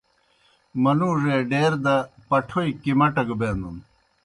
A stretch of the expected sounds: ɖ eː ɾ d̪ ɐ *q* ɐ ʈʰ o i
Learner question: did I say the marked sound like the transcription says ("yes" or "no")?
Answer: no